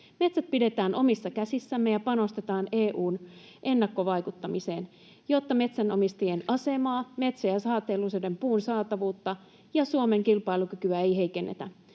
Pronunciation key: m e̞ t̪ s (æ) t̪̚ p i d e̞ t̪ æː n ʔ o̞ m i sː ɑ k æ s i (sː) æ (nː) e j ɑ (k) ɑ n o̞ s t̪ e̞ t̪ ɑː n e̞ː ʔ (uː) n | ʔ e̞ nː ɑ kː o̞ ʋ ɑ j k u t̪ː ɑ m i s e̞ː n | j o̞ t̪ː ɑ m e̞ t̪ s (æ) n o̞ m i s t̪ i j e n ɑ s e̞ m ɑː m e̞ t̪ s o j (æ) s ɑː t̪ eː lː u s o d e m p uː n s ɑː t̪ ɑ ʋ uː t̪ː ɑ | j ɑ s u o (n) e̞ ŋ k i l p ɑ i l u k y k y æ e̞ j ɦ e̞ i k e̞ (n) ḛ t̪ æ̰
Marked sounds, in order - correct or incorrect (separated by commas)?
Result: correct, correct, incorrect, incorrect, correct, correct, correct, incorrect, incorrect